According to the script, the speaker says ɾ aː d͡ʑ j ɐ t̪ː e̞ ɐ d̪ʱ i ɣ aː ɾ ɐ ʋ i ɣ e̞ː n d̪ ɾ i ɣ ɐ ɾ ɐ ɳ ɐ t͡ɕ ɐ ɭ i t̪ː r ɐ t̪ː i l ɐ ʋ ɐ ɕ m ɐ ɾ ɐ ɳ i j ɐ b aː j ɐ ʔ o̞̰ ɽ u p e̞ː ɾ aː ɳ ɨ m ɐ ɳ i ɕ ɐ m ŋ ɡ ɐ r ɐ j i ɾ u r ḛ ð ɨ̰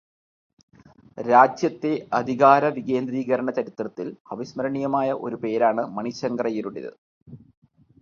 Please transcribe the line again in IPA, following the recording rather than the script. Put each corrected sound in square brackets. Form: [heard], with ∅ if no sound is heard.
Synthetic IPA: ɾ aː d͡ʑ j ɐ t̪ː e̞ ɐ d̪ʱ i ɣ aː ɾ ɐ ʋ i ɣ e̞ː n d̪ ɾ [iː] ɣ ɐ ɾ ɐ ɳ ɐ t͡ɕ ɐ [ɾ] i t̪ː r ɐ t̪ː i l ɐ ʋ ɐ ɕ m ɐ ɾ ɐ ɳ i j ɐ [m] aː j ɐ ʔ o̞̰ [ɾ] u p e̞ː ɾ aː ɳ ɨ m ɐ ɳ i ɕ ɐ [∅] ŋ ɡ ɐ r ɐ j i ɾ u [ɽ] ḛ ð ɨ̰